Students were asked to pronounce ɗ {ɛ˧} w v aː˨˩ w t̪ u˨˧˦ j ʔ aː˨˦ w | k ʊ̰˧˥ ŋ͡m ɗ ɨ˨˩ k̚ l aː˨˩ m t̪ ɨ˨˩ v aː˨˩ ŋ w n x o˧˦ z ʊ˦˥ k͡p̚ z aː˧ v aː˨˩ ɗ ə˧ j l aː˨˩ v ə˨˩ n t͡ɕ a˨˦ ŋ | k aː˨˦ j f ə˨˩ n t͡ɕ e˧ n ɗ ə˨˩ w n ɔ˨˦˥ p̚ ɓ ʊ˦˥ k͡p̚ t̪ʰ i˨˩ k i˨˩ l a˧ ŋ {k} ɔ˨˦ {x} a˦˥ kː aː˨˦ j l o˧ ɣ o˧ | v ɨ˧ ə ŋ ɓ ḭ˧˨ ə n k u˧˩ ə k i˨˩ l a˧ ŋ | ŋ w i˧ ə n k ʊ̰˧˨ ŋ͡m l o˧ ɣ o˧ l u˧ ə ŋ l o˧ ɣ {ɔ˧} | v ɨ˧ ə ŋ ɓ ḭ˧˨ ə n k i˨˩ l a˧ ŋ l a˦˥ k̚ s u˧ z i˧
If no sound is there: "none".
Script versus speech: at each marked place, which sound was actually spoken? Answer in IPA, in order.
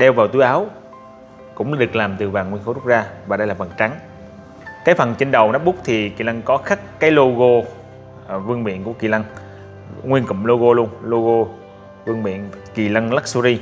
ɛ˧, k, x, o˧

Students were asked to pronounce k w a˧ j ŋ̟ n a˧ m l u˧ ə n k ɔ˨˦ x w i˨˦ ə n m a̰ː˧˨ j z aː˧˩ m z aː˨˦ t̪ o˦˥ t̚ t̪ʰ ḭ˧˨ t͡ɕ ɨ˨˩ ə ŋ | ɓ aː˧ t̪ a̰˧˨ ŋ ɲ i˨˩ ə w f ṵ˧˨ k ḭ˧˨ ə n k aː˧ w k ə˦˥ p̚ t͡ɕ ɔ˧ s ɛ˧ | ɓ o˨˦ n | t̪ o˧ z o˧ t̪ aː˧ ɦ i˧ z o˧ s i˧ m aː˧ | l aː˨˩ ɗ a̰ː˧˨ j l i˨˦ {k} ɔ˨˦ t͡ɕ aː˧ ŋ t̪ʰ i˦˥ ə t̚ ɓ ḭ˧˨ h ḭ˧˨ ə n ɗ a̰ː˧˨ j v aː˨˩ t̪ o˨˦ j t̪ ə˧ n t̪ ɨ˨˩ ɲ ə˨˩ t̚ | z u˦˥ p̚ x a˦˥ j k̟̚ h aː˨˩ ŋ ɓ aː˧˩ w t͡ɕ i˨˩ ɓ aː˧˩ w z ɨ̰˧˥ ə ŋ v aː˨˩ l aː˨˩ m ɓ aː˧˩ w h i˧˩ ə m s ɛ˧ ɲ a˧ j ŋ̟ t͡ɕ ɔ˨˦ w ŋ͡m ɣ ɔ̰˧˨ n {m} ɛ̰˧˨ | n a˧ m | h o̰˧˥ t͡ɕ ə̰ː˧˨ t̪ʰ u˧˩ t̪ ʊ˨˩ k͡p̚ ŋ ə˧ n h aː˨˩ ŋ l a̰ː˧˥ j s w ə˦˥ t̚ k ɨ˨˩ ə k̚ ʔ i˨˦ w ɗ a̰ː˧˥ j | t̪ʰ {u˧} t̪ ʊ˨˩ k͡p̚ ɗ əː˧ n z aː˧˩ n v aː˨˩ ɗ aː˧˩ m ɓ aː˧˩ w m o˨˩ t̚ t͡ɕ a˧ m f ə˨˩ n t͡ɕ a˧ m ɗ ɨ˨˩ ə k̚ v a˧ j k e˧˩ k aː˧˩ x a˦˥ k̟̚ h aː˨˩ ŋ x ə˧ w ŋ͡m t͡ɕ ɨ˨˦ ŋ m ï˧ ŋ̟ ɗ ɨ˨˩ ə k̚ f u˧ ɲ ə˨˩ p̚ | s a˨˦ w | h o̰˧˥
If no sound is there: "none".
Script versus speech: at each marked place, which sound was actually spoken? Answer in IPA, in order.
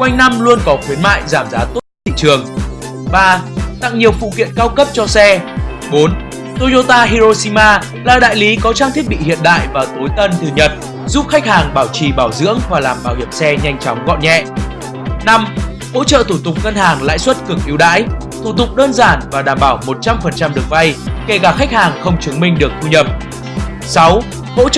k, ɲ, u˧˩

